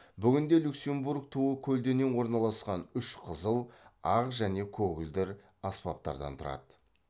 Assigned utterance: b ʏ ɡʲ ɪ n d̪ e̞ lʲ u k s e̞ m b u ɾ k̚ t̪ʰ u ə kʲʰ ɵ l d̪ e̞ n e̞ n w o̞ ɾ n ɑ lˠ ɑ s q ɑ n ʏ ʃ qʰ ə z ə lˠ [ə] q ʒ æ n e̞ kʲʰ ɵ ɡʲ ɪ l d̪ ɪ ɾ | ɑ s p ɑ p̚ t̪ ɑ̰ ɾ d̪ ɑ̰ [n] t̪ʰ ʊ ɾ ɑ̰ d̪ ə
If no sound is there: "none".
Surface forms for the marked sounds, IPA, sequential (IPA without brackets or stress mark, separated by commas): ɑ, n